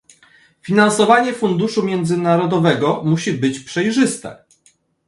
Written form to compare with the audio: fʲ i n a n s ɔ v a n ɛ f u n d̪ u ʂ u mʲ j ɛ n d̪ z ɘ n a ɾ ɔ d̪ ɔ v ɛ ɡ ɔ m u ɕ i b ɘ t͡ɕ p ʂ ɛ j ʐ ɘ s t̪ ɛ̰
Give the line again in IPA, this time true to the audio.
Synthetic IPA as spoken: fʲ i n a n s ɔ v a ɲ ɛ f u n d̪ u ʂ u mʲ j ɛ n d̪ z ɘ n a ɾ ɔ d̪ ɔ v ɛ ɡ ɔ m u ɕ i b ɘ t͡ɕ p ʂ ɛ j ʐ ɘ s t̪ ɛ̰